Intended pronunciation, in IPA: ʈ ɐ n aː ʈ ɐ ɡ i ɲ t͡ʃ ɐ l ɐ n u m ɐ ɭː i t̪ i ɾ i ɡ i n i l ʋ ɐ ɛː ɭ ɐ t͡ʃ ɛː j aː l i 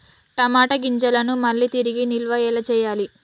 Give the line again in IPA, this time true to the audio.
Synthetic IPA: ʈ ɐ m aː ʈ ɐ ɡ i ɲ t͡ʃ ɐ l ɐ n u m ɐ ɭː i t̪ i ɾ i ɡ i n i l ʋ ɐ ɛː l ɐ t͡ʃ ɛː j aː l i